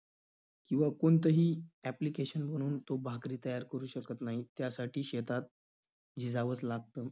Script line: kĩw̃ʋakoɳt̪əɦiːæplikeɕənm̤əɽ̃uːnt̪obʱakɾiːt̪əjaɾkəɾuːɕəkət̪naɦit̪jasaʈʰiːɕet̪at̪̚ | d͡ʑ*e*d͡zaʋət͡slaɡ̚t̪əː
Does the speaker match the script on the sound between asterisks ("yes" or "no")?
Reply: no